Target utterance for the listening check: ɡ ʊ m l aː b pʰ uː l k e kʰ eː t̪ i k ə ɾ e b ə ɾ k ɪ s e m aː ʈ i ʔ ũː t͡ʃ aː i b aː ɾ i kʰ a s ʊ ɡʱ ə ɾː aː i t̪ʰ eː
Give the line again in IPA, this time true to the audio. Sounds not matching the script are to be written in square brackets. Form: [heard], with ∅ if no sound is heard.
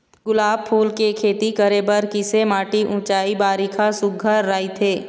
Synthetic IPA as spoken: ɡ ʊ [∅] l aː b pʰ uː l k e kʰ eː t̪ i k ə ɾ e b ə ɾ k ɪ s e m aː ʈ i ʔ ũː t͡ʃ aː i b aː ɾ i kʰ a s ʊ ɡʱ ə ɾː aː i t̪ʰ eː